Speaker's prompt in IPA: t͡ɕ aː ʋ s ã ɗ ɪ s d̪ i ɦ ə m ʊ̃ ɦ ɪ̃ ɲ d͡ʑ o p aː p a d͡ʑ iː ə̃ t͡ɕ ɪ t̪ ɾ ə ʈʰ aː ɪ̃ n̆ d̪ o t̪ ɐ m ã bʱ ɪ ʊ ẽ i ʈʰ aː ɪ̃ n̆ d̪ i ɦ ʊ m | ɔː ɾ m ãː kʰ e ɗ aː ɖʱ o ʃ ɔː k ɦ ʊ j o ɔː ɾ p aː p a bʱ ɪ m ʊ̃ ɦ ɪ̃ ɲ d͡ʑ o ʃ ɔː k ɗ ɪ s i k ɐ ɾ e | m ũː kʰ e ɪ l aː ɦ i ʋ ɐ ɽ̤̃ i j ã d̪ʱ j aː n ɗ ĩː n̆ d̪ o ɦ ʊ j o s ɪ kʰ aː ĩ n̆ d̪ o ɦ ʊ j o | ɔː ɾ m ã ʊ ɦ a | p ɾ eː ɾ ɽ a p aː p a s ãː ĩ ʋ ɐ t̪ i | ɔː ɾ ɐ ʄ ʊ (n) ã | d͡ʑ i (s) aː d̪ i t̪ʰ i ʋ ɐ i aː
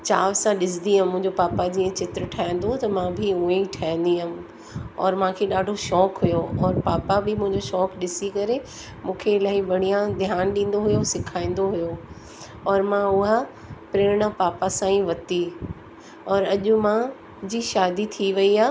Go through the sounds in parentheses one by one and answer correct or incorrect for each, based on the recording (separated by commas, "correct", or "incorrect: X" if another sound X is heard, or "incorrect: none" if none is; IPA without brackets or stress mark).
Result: incorrect: m, incorrect: ʃ